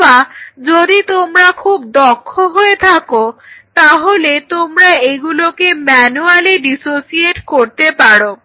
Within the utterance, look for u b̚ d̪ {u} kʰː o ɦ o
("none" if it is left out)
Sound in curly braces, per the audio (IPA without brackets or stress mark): ɔ